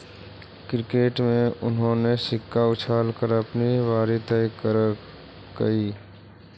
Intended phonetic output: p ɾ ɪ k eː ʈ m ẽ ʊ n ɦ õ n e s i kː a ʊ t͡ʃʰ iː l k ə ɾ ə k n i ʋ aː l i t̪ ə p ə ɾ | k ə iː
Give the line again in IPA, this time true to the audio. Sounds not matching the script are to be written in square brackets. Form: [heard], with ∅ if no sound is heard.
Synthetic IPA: [k] ɾ ɪ k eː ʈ m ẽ ʊ n ɦ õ n e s [ɪ] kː a ʊ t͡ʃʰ [aː] l k ə ɾ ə [p] n i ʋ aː [ɾ] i t̪ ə [k] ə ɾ | k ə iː